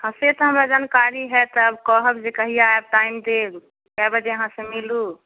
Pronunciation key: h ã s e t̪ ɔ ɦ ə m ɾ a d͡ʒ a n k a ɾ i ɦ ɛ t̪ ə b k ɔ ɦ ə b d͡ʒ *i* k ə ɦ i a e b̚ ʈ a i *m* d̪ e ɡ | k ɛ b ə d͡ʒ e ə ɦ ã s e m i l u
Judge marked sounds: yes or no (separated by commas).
no, yes